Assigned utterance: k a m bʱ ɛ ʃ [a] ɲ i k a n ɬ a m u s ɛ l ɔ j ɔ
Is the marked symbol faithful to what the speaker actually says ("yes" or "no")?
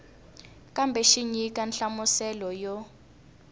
no